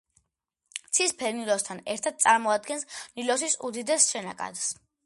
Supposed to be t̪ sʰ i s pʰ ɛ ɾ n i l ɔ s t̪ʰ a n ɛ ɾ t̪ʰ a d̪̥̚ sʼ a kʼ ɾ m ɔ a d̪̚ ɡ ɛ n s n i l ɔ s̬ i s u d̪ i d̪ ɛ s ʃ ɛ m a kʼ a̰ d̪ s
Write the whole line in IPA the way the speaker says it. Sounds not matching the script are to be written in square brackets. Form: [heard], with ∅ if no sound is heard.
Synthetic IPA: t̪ sʰ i s pʰ ɛ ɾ n i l ɔ s t̪ʰ a n ɛ ɾ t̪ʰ a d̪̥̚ sʼ a [∅] ɾ m ɔ a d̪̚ ɡ ɛ n s n i l ɔ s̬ i s u d̪ i d̪ ɛ s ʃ ɛ [n] a kʼ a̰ d̪ s